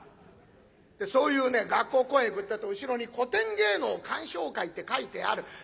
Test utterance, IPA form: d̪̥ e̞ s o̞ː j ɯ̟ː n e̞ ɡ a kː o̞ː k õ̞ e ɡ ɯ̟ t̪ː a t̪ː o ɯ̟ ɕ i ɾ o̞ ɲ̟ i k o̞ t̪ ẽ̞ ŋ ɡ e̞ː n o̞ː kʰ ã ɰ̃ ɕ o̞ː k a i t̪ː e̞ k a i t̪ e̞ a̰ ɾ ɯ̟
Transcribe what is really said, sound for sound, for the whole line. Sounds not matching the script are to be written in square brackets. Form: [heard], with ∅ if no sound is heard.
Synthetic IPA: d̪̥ e̞ s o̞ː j ɯ̟ː n e̞ ɡ a kː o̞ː k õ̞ e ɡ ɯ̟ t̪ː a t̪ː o ɯ̟ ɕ i ɾ o̞ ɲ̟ i k o̞ t̪ ẽ̞ ŋ ɡ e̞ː n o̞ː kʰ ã ɰ̃ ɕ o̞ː k a i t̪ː e̞ k a i t̪ e̞ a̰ ɾ ɯ̟

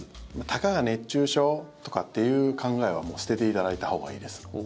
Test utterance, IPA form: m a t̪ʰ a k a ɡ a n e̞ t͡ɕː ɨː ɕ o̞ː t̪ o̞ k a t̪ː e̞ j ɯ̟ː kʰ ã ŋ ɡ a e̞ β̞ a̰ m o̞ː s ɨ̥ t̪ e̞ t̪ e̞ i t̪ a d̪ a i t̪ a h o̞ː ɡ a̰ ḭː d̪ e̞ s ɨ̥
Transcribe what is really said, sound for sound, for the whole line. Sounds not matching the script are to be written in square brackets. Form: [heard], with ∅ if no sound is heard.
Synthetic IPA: m a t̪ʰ a k a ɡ a n e̞ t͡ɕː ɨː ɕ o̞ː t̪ o̞ k a t̪ː e̞ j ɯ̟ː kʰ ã ŋ ɡ a e̞ β̞ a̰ m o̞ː s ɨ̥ t̪ e̞ t̪ e̞ i t̪ a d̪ a i t̪ a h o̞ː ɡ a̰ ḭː d̪ e̞ s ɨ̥

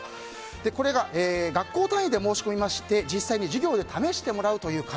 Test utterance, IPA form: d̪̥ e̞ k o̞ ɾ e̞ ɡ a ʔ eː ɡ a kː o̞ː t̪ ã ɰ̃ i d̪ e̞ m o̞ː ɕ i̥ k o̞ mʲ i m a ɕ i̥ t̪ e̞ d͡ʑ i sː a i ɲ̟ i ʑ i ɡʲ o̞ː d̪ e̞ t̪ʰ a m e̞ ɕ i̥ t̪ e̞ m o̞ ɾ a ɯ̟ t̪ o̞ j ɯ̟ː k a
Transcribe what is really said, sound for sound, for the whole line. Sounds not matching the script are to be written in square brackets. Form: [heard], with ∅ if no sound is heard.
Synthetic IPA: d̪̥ e̞ k o̞ ɾ e̞ ɡ a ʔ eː ɡ a kː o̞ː t̪ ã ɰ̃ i d̪ e̞ m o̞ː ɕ i̥ k o̞ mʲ i m a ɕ i̥ t̪ e̞ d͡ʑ i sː a i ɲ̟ i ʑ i ɡʲ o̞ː d̪ e̞ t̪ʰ a m e̞ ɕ i̥ t̪ e̞ m o̞ ɾ a ɯ̟ t̪ o̞ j ɯ̟ː k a

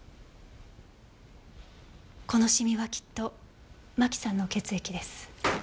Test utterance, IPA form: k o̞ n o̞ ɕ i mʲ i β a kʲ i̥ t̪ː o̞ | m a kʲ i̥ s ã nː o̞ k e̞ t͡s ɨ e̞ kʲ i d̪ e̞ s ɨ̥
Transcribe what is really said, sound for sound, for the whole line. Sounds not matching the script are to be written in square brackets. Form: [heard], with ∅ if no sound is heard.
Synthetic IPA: k o̞ n o̞ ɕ i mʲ i β a kʲ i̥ t̪ː o̞ | m a kʲ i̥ s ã nː o̞ k e̞ t͡s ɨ e̞ kʲ i d̪ e̞ s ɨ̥

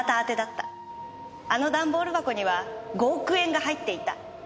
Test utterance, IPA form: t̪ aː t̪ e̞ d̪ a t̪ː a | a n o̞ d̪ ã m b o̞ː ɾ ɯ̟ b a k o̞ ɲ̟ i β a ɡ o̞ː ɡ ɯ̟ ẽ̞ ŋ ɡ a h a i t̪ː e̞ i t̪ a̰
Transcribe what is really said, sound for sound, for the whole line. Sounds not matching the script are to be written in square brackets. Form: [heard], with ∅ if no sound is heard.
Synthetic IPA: t̪ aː t̪ e̞ d̪ a t̪ː a | a n o̞ d̪ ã m b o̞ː ɾ ɯ̟ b a k o̞ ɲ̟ i β a ɡ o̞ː [k] ɯ̟ ẽ̞ ŋ ɡ a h a i t̪ː e̞ i t̪ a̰

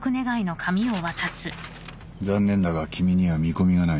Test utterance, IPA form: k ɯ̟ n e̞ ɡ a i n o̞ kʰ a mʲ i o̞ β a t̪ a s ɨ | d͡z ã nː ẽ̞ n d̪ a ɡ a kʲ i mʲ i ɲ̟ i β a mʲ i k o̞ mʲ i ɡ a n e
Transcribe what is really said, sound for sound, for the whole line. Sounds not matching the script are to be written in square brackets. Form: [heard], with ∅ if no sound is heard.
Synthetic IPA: k ɯ̟ n e̞ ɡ a i n o̞ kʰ a mʲ i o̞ β a t̪ a s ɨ | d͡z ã nː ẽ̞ n d̪ a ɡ a kʲ i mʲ i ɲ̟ i β a mʲ i k o̞ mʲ i ɡ a n [a]

